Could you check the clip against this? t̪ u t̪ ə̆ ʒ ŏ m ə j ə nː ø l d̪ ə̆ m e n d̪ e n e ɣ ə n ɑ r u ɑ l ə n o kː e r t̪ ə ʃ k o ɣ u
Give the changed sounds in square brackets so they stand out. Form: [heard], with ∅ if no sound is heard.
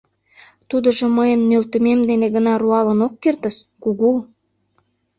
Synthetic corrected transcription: t̪ u [d̪] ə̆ ʒ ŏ m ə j ə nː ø l [t̪] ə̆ m e [m] d̪ e n e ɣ ə n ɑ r u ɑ l ə n o kː e r t̪ ə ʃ k [u] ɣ u